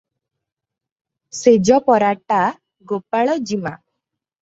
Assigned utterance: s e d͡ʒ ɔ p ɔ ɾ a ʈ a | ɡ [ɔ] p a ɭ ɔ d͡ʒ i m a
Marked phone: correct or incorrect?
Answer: incorrect